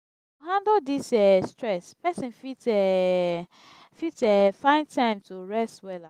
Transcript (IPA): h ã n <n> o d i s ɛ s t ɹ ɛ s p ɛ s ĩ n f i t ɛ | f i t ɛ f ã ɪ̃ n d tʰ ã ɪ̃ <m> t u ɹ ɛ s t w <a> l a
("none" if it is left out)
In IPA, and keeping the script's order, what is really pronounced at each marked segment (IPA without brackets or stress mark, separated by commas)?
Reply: d, m, ɛ